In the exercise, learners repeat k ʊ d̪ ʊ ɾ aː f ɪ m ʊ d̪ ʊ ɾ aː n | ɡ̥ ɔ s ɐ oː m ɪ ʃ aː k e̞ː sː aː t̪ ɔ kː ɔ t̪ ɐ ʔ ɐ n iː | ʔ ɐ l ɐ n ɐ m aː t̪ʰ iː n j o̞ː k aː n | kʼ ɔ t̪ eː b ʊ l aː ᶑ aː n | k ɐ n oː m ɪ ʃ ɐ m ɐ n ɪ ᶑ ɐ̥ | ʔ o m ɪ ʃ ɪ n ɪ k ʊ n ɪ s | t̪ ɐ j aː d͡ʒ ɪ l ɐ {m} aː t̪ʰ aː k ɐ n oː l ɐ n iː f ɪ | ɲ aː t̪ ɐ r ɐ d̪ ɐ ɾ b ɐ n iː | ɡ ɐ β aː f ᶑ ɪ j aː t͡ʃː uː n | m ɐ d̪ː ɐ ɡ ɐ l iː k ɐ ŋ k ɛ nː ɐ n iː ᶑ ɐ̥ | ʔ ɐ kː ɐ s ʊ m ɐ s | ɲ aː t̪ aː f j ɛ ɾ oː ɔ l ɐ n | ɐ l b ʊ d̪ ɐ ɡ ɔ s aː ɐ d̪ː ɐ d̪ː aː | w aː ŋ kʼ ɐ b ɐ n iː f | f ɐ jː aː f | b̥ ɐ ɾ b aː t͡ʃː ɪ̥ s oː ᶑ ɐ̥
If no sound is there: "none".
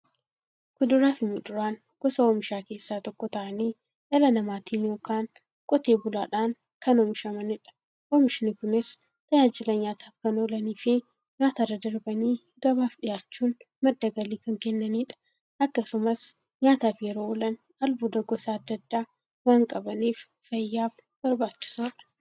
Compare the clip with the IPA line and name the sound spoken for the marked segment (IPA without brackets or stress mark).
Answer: ɲ